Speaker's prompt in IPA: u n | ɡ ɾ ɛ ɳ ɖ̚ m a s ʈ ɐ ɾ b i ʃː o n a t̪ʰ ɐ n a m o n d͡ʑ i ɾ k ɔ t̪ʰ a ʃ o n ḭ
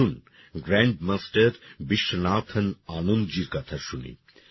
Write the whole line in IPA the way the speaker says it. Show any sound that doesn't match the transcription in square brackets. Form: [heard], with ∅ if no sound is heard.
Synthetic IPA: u n | ɡ ɾ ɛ ɳ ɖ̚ m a s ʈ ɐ ɾ b i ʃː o n a t̪ʰ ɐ n a [n] o n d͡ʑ i ɾ k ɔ t̪ʰ a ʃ [u] n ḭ